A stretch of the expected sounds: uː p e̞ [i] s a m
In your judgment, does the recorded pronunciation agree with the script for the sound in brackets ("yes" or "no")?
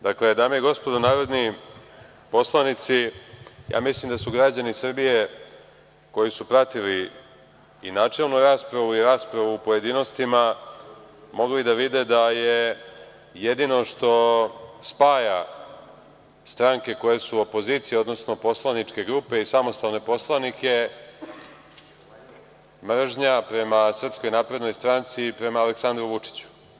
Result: yes